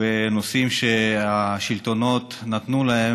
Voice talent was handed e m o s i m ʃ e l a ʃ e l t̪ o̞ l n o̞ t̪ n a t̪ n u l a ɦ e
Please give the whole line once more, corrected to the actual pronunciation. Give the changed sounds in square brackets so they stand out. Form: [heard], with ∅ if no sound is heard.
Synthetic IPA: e [n] o s i m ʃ e [∅] a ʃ [i] l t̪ o̞ [∅] n o̞ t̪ n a t̪ n u l a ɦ e